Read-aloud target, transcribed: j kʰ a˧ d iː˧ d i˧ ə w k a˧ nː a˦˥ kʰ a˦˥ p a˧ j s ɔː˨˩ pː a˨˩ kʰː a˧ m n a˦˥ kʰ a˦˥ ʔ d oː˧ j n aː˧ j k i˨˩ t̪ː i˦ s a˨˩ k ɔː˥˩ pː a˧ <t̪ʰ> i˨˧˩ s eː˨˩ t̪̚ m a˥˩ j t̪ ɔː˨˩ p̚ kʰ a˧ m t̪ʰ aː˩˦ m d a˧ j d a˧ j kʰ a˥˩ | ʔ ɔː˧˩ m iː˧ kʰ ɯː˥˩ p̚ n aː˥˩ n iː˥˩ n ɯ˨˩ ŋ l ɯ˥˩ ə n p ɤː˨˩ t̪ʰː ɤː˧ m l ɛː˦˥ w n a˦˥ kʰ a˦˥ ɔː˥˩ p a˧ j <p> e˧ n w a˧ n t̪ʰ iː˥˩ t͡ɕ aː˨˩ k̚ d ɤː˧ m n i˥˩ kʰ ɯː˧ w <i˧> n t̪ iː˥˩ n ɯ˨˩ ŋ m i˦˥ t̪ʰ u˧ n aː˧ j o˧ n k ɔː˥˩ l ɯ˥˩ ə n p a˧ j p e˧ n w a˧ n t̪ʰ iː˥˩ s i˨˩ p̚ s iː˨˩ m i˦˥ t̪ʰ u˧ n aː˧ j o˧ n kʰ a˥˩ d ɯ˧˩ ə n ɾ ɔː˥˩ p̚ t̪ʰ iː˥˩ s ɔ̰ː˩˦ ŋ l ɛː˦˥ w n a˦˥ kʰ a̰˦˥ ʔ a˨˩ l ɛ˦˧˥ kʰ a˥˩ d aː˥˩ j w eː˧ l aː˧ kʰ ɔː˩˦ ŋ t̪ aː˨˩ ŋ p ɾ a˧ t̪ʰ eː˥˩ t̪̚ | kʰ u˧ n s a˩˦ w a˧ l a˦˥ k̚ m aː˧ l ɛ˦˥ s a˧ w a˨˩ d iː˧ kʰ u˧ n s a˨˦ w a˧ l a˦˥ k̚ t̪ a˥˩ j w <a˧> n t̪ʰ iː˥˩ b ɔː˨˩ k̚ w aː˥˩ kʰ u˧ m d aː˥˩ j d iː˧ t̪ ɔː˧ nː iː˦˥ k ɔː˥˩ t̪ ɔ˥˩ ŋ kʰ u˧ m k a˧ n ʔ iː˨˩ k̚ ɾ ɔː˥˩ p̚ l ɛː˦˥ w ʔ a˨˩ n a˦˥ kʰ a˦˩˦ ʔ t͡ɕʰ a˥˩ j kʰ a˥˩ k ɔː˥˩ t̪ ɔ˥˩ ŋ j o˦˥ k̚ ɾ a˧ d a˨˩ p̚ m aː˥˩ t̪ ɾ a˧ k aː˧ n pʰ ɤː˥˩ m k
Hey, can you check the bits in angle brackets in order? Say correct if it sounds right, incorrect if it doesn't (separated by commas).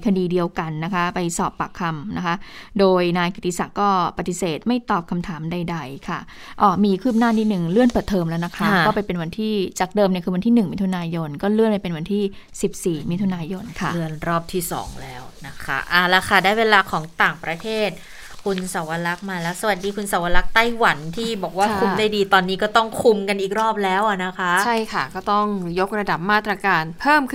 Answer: incorrect, correct, incorrect, incorrect